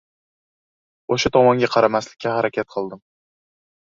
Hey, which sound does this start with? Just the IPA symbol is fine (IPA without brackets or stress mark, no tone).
o